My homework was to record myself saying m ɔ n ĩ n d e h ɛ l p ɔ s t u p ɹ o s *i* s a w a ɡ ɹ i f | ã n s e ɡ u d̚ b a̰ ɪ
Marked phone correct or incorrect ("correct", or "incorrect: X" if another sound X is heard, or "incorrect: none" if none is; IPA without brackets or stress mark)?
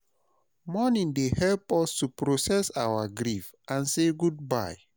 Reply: incorrect: ɛ